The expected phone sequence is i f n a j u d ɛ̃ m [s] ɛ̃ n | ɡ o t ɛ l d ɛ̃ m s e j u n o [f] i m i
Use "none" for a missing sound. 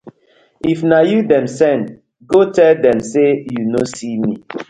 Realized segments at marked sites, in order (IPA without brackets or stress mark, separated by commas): s, s